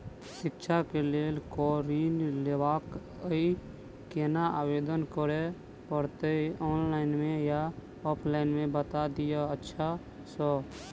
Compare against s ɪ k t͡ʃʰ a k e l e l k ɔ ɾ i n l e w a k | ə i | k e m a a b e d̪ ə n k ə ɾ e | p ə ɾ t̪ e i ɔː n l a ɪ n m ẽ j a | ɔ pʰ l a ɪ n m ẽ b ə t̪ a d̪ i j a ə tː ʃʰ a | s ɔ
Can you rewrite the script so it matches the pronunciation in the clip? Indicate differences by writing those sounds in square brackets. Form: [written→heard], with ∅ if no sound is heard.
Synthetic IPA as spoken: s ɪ k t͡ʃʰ a k e l e l k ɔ ɾ i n l e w a k | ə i | k e [m→n] a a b e d̪ ə n k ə ɾ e | p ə ɾ t̪ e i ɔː n l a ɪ n m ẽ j a | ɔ pʰ l a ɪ n m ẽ b ə t̪ a d̪ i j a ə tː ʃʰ a | s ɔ